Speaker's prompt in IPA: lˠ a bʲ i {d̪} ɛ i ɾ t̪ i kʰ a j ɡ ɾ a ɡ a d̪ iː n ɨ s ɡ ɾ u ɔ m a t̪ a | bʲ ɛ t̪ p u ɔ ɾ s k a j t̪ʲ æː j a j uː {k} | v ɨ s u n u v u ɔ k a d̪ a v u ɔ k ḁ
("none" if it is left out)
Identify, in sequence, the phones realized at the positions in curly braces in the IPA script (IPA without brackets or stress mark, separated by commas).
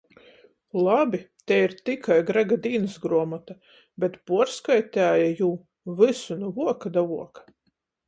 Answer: t̪, none